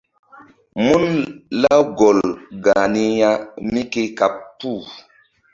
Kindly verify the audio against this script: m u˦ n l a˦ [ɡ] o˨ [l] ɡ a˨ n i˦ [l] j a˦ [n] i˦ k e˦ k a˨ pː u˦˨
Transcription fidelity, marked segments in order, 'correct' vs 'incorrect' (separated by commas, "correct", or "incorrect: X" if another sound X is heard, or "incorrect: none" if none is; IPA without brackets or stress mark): correct, correct, incorrect: none, incorrect: m